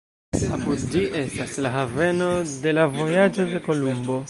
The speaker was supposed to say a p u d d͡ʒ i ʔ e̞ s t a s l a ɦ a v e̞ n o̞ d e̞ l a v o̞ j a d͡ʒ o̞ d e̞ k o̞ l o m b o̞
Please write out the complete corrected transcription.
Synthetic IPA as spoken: a p u d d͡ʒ i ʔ e̞ s t a s l a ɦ a v e̞ n o̞ d e̞ l a v o̞ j a d͡ʒ o̞ d e̞ k o̞ l u m b o̞